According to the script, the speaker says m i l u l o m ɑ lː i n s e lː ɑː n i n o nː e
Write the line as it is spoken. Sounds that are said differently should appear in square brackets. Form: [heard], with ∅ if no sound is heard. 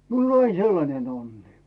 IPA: m i [∅] u l o [n] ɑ [∅] i n s e lː [ɑ] n [e] n o nː [i]